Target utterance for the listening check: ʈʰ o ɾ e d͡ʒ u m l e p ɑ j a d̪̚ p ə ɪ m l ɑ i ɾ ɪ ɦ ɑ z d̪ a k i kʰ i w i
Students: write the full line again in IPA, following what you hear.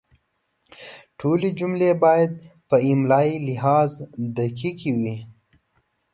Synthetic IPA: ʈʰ o l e d͡ʒ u m l e b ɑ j a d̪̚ p ə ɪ m l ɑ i l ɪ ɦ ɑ z d̪ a k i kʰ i w i